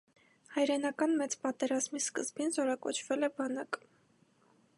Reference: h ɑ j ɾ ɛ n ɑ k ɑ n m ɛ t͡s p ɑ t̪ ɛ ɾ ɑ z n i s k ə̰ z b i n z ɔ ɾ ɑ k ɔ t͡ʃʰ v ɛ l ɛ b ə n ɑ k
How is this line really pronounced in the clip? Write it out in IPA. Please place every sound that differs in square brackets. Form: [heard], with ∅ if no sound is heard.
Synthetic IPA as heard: h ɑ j ɾ ɛ n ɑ k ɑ n m ɛ t͡s p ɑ t̪ ɛ ɾ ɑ z [m] i s k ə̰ z b i n z ɔ ɾ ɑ k ɔ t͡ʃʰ v ɛ l ɛ b [ɑ] n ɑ k